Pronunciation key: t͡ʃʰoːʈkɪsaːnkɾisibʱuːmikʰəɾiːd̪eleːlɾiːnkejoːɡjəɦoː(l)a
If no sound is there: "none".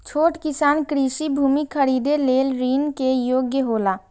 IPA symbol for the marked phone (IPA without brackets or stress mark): l